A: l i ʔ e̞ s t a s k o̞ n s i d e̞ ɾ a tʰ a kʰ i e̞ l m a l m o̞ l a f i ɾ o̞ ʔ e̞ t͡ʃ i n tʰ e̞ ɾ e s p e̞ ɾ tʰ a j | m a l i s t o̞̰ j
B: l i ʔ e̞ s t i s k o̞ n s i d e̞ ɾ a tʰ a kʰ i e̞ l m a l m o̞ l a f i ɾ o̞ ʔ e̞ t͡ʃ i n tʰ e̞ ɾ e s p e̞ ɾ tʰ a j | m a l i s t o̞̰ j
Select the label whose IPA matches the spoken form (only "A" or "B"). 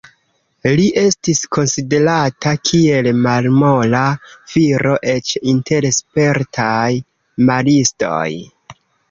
B